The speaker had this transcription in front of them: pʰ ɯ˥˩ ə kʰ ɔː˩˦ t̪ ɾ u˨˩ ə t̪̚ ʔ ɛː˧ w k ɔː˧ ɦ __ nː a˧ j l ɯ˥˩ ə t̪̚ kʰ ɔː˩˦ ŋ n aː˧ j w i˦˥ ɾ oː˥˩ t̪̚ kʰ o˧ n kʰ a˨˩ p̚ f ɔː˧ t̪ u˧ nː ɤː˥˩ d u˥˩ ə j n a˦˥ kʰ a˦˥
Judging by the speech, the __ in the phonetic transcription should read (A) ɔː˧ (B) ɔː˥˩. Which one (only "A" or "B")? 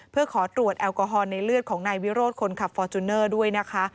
A